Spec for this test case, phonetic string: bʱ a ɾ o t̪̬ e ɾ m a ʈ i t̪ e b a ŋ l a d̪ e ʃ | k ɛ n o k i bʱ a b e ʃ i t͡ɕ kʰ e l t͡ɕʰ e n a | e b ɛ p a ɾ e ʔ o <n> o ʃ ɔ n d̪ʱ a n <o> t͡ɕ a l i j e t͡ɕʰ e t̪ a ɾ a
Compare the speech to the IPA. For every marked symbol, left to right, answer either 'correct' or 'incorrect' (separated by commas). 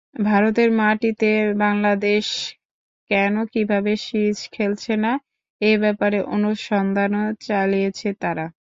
correct, correct